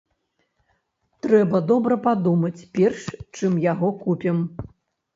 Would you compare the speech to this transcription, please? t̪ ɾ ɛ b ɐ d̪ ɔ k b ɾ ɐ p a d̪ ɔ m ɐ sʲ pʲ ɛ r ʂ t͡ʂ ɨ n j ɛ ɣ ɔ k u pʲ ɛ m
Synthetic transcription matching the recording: t̪ ɾ ɛ b ɐ d̪ ɔ b ɾ ɐ p a d̪ u m ɐ t͡sʲ pʲ ɛ r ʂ t͡ʂ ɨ m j a ɣ ɔ k u pʲ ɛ m